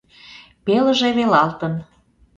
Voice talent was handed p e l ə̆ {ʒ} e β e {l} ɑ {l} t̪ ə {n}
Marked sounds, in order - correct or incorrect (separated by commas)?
correct, correct, correct, correct